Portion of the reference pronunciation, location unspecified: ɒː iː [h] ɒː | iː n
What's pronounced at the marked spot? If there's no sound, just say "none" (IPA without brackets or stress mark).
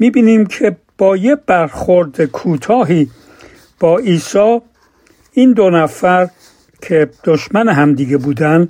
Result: s